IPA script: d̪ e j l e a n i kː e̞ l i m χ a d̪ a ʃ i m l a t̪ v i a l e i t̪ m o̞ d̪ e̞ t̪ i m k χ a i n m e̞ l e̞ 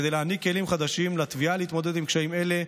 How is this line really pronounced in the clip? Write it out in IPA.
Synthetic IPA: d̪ e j l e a n i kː e̞ l i m χ a d̪ a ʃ i m l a t̪ v i a l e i t̪ m o̞ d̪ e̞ d̪ i m k ʃ a i m e̞ l e̞